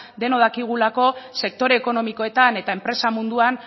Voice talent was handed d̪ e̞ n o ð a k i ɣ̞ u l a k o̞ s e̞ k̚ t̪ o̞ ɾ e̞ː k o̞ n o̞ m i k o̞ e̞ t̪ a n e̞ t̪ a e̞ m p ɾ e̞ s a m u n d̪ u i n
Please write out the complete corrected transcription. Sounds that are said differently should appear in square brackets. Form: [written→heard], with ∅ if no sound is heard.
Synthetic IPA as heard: d̪ e̞ n o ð a k i ɣ̞ u l a k o̞ s e̞ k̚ t̪ o̞ ɾ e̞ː k o̞ n o̞ m i k o̞ e̞ t̪ a n e̞ t̪ a e̞ m p ɾ e̞ s a m u n d̪ u [i→a] n